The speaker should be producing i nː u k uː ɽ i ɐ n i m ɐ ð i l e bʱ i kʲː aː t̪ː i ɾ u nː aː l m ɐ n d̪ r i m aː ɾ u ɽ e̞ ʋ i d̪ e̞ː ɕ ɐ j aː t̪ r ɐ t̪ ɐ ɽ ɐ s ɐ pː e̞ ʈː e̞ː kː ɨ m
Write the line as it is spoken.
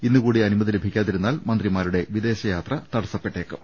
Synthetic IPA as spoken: i nː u k uː ɽ i ɐ n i m ɐ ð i l e bʱ i kʲː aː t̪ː i ɾ u nː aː l m ɐ n d̪ r i m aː ɾ u ɽ e̞ ʋ i d̪ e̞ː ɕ ɐ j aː t̪ r ɐ t̪ ɐ ɽ ɐ s ɐ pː e̞ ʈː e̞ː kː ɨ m

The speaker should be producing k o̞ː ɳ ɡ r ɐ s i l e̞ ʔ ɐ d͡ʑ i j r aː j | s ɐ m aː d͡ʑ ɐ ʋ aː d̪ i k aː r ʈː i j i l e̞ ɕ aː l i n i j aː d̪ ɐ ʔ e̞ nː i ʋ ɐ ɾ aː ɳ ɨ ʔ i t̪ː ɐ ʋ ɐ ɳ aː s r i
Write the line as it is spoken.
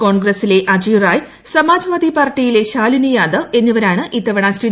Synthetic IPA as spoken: k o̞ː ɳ ɡ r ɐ s i l e̞ ʔ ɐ d͡ʑ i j r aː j | s ɐ m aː d͡ʑ ɐ ʋ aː d̪ i p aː r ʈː i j i l e̞ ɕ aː l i n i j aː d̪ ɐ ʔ e̞ nː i ʋ ɐ ɾ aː ɳ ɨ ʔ i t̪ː ɐ ʋ ɐ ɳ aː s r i

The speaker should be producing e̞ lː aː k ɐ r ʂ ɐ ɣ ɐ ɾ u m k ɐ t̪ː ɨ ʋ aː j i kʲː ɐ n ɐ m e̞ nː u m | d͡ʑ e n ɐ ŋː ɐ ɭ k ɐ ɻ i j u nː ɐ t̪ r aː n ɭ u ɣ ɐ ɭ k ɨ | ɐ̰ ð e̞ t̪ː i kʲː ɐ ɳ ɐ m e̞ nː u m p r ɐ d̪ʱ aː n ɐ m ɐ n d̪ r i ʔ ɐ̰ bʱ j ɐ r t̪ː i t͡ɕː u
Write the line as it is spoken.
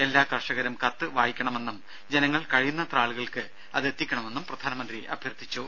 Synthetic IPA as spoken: e̞ lː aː k ɐ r ʂ ɐ ɣ ɐ ɾ u m k ɐ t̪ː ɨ ʋ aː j i kʲː ɐ ɳ ɐ m e̞ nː u m | d͡ʑ e n ɐ ŋː ɐ ɭ k ɐ ɻ i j u nː ɐ t̪ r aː ɭ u ɣ ɐ ɭ k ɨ | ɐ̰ ð e̞ t̪ː i kʲː ɐ ɳ ɐ m e̞ nː u m p r ɐ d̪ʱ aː n ɐ m ɐ n d̪ r i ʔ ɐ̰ bʱ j ɐ r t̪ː i t͡ɕː u

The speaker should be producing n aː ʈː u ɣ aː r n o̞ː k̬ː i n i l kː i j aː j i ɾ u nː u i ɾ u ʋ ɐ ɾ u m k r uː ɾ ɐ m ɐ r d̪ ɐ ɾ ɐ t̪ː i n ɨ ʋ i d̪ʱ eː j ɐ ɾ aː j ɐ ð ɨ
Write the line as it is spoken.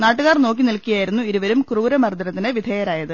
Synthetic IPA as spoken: n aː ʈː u ɣ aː r n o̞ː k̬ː i n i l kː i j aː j i ɾ u nː u i ɾ u ʋ ɐ ɾ u m k r uː ɾ ɐ m ɐ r d̪ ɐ ɾ ɐ t̪ː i n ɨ ʋ i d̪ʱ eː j ɐ ɾ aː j ɐ ð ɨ

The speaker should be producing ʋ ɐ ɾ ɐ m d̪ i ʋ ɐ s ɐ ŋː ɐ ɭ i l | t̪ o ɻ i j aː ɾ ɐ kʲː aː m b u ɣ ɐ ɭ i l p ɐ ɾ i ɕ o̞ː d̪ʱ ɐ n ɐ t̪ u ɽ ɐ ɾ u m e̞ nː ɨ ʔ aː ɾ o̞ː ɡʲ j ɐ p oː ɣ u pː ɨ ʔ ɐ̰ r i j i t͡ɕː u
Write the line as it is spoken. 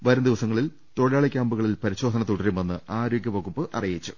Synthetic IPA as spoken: ʋ ɐ ɾ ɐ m d̪ i ʋ ɐ s ɐ ŋː ɐ ɭ i l | t̪ o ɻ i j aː ɭ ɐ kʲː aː m b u ɣ ɐ ɭ i l p ɐ ɾ i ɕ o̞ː d̪ʱ ɐ n ɐ t̪ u ɽ ɐ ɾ u m e̞ nː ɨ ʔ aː ɾ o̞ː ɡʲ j ɐ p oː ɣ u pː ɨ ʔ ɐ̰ r i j i t͡ɕː u

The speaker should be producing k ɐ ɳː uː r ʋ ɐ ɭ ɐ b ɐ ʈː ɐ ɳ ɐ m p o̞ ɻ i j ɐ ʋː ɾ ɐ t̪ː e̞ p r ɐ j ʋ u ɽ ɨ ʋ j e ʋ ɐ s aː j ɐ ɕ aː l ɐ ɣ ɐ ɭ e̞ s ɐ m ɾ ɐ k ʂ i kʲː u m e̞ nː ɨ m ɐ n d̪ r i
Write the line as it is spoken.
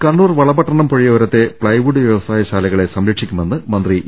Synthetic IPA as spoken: k ɐ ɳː uː r ʋ ɐ ɭ ɐ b ɐ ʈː ɐ ɳ ɐ m p o̞ ɻ i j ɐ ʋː ɾ ɐ t̪ː e̞ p ɭ ɐ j ʋ u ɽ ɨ ʋ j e ʋ ɐ s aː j ɐ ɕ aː l ɐ ɣ ɐ ɭ e̞ s ɐ m ɾ ɐ k ʂ i kʲː u m e̞ nː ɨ m ɐ n d̪ r i

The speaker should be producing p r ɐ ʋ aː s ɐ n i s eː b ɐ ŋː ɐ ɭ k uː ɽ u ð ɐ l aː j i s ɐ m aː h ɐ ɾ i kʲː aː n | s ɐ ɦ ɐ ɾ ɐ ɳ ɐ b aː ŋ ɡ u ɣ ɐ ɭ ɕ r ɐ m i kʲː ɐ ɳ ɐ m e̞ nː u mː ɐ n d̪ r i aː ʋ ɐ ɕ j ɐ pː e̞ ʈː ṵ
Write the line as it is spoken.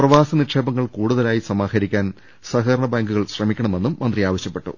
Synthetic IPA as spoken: p r ɐ ʋ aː s ɐ n i ʂ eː b ɐ ŋː ɐ ɭ k uː ɽ u ð ɐ l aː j i s ɐ m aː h ɐ ɾ i kʲː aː n | s ɐ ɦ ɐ ɾ ɐ ɳ ɐ b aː ŋ ɡ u ɣ ɐ ɭ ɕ r ɐ m i kʲː ɐ ɳ ɐ m e̞ nː u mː ɐ n d̪ r i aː ʋ ɐ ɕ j ɐ pː e̞ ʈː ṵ

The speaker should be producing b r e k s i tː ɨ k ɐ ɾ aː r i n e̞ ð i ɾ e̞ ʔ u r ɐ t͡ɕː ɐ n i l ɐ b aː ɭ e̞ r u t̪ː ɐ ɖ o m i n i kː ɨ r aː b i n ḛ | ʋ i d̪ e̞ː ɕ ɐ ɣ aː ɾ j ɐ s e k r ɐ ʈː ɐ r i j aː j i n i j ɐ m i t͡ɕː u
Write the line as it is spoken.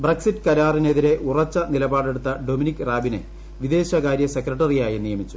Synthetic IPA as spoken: b r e k s i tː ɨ k ɐ ɾ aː r i n e̞ ð i ɾ e̞ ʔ u r ɐ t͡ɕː ɐ n i l ɐ b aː ɽ e̞ ɽ u t̪ː ɐ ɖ o m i n i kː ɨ r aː b i n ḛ | ʋ i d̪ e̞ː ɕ ɐ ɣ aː ɾ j ɐ s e k r ɐ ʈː ɐ r i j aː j i n i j ɐ m i t͡ɕː u

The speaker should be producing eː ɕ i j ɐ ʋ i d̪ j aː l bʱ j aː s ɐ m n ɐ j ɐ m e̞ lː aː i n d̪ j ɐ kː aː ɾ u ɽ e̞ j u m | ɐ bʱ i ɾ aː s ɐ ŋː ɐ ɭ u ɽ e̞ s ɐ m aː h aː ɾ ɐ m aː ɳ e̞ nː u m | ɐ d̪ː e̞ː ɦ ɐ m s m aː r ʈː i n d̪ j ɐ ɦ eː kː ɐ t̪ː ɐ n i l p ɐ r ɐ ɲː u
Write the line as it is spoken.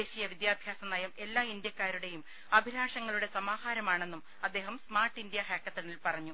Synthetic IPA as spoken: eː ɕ i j ɐ ʋ i d̪ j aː bʱ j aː s ɐ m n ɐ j ɐ m e̞ lː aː i n d̪ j ɐ kː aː ɾ u ɽ e̞ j u m | ɐ bʱ i ɾ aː ʂ ɐ ŋː ɐ ɭ u ɽ e̞ s ɐ m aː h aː ɾ ɐ m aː ɳ e̞ nː u m | ɐ d̪ː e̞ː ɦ ɐ m s m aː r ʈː i n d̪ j ɐ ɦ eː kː ɐ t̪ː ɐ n i l p ɐ r ɐ ɲː u

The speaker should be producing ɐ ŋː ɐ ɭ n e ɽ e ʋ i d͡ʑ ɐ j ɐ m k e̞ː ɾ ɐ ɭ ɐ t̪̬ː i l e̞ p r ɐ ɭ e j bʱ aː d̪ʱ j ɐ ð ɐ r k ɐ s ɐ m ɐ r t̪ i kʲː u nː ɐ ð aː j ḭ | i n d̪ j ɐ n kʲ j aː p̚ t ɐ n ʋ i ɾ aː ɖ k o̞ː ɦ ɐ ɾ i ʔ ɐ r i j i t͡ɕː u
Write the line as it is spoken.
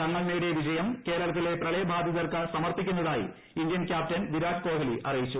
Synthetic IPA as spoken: ɐ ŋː ɐ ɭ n e ɽ e ʋ i d͡ʑ ɐ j ɐ m k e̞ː ɾ ɐ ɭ ɐ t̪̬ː i l e̞ p r ɐ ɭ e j bʱ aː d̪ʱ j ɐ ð ɐ r k ɐ s ɐ m ɐ r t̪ i kʲː u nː ɐ ð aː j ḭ | i n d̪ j ɐ n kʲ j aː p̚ t ɐ n ʋ i ɾ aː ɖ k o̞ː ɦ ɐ l i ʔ ɐ r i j i t͡ɕː u

